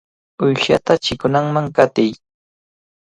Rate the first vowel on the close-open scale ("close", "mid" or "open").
close